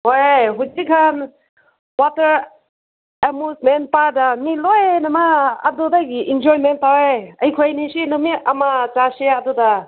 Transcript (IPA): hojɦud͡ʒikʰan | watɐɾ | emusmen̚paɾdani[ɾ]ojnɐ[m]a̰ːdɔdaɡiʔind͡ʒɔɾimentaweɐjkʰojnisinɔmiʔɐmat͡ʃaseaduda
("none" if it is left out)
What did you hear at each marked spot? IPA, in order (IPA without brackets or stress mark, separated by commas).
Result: l, m